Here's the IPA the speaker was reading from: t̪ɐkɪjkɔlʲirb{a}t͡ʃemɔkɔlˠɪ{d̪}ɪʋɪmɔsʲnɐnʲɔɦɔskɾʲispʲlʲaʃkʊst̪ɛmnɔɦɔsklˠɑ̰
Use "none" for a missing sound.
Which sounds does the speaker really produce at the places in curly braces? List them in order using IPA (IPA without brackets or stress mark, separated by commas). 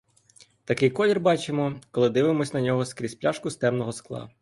ɑ, d̪